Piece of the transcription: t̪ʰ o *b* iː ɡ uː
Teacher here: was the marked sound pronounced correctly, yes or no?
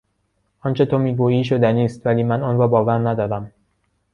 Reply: no